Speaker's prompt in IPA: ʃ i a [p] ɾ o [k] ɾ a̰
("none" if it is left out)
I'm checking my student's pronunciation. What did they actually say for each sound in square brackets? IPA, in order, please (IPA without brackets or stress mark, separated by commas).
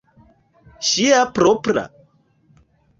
p, p